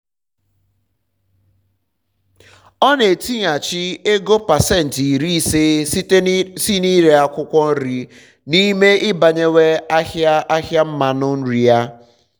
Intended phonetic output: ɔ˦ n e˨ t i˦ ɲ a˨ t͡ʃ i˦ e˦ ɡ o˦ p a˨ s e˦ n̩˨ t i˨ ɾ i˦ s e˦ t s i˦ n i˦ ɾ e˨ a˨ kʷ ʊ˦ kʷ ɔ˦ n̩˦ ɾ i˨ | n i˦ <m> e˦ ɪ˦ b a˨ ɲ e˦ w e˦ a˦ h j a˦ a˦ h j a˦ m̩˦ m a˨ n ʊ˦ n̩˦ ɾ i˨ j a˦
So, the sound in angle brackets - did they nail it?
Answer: yes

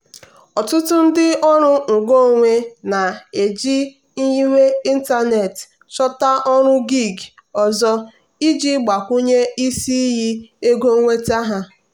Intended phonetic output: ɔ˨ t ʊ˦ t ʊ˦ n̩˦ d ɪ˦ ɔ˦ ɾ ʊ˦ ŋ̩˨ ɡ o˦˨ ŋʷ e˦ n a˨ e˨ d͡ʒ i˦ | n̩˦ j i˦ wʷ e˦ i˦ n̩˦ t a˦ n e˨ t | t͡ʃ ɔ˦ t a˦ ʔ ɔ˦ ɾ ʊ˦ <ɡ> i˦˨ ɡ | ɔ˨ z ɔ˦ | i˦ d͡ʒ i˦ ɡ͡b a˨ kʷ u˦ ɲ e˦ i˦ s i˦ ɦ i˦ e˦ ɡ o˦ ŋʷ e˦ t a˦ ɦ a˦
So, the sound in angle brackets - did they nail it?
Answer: yes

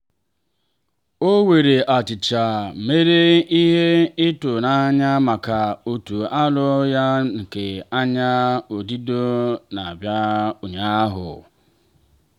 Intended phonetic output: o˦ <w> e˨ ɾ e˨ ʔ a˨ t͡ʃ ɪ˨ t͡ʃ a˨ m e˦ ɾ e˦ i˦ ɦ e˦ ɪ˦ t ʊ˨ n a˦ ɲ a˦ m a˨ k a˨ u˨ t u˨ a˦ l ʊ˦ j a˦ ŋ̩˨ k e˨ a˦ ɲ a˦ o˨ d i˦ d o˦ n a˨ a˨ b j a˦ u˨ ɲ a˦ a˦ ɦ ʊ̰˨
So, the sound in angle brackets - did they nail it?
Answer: yes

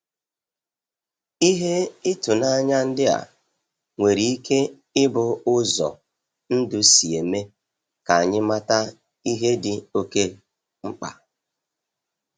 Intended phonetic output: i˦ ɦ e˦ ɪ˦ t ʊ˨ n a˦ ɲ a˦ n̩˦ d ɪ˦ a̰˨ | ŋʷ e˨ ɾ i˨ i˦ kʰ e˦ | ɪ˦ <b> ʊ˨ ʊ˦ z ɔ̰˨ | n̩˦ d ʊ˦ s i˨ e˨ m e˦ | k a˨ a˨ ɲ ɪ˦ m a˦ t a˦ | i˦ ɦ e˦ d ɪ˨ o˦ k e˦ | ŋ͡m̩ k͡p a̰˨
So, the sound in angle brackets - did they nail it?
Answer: yes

